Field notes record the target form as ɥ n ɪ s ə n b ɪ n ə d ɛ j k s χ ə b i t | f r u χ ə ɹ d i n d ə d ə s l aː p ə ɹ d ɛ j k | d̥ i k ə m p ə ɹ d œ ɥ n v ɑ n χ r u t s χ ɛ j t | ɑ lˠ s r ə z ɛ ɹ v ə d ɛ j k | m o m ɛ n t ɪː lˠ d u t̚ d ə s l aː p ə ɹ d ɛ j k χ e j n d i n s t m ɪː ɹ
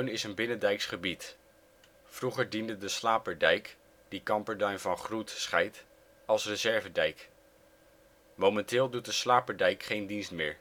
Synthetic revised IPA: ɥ n ɪ s ə n b ɪ n ə d ɛ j k s χ ə b i t | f r u χ ə ɹ d i n d ə d ə s l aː p ə ɹ d ɛ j k | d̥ i k ɑ m p ə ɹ d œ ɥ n v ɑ n χ r u t s χ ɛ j t | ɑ lˠ s r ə z ɛ ɹ v ə d ɛ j k | m o m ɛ n t ɪː lˠ d u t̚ d ə s l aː p ə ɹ d ɛ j k χ e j n d i n s t m ɪː ɹ